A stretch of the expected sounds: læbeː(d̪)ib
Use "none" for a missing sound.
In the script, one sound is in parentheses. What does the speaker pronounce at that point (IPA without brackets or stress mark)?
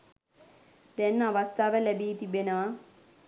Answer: t̪